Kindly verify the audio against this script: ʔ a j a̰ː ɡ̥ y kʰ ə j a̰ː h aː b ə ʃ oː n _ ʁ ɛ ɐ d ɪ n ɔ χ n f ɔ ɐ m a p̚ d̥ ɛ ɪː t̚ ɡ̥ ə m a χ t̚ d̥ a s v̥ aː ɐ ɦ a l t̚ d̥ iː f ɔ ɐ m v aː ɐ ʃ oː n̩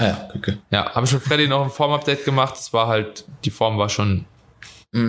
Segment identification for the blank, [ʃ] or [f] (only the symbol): f